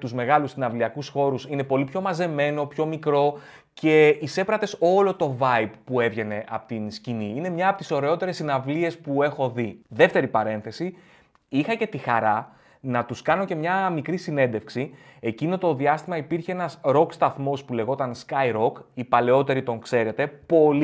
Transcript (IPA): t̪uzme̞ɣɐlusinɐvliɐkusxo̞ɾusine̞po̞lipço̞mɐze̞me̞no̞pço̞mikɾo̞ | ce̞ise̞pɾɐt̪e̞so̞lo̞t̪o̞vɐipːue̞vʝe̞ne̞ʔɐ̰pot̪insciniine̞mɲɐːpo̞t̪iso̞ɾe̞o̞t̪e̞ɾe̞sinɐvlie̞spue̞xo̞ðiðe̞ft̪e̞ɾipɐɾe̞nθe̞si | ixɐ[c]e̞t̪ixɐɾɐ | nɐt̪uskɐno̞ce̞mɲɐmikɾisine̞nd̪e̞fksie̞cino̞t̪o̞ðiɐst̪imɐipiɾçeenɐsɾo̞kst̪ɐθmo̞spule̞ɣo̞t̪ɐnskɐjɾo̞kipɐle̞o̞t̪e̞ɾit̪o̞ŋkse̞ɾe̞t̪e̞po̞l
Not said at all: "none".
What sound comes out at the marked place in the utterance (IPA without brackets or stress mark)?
c